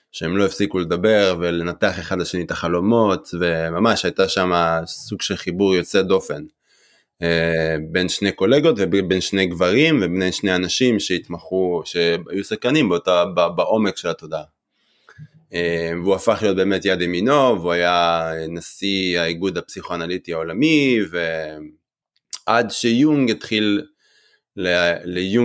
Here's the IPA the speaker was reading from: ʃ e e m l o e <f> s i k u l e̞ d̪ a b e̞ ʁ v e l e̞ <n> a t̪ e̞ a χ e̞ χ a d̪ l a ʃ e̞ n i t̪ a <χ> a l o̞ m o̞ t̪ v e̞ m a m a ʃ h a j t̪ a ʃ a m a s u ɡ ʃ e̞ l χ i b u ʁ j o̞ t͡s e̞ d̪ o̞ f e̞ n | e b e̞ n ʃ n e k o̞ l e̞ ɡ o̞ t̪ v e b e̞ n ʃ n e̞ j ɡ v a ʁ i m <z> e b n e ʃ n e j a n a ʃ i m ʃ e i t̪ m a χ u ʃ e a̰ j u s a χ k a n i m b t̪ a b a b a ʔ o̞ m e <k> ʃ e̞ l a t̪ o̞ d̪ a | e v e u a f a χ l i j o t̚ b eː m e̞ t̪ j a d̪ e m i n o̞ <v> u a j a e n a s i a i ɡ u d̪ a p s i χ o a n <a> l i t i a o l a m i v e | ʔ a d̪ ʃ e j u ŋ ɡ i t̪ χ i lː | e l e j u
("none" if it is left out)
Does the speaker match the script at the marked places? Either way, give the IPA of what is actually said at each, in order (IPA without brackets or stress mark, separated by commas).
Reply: f, n, χ, v, k, v, a